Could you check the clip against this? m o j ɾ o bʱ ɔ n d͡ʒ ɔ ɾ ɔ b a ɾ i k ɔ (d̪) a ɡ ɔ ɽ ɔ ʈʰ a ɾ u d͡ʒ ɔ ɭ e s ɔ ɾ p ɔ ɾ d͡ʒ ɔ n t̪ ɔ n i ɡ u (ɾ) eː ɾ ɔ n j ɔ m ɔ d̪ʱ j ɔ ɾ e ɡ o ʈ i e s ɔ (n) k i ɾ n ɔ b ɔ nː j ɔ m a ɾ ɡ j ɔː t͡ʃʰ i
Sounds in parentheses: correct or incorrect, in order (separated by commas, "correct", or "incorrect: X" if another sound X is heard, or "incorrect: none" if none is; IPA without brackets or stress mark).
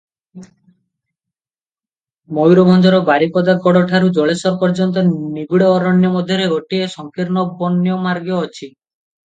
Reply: correct, incorrect: ɽ, incorrect: ŋ